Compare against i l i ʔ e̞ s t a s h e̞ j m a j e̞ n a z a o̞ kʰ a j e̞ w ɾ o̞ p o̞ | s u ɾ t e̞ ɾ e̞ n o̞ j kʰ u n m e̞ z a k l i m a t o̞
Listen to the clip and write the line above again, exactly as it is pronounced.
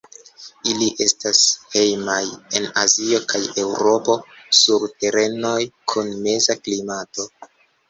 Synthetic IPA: i l i ʔ e̞ s t a s h e̞ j m a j e̞ n a z i o̞ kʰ a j e̞ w ɾ o̞ p o̞ | s u ɾ t e̞ ɾ e̞ n o̞ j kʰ u n m e̞ z a k l i m a t o̞